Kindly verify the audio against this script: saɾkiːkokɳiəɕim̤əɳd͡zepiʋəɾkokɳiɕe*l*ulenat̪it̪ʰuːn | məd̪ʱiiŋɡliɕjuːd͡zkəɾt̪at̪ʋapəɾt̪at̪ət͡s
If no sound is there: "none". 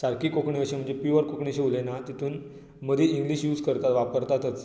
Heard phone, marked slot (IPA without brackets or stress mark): none